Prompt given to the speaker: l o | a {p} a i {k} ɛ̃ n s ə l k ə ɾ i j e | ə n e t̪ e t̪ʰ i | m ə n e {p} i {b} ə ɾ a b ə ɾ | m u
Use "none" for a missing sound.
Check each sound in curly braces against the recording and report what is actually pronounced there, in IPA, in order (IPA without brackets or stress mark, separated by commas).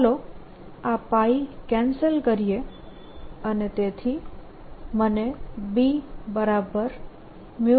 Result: p, k, b, b